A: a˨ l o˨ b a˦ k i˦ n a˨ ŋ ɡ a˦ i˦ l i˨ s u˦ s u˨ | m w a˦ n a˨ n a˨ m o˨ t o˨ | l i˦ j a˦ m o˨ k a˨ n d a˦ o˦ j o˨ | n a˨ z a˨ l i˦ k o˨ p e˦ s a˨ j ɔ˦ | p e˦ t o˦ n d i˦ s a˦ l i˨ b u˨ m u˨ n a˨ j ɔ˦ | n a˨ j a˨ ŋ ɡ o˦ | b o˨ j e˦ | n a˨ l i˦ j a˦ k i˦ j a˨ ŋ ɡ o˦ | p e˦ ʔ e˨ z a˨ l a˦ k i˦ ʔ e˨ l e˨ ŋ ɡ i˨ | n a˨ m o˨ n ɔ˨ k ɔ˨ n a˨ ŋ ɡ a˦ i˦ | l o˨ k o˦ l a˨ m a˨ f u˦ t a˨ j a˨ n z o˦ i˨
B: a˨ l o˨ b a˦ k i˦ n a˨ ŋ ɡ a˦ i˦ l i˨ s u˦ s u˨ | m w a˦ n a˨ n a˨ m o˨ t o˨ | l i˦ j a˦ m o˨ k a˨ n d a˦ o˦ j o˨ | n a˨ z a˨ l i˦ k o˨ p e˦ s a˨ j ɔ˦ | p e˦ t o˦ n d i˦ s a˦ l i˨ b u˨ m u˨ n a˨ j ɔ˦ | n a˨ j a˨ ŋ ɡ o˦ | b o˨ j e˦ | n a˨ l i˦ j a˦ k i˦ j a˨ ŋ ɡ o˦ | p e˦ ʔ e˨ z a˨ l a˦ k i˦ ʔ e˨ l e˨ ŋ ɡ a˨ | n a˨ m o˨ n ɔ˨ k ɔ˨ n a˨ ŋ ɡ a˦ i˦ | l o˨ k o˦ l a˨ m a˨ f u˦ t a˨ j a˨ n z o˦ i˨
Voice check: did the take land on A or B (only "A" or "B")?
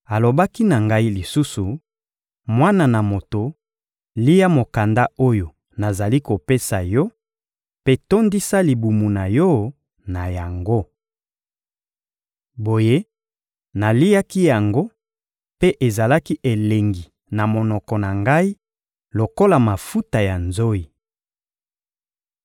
A